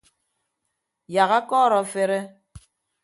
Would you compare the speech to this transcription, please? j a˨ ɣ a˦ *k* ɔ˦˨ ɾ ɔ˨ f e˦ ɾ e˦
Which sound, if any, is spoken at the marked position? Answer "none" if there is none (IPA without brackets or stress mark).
k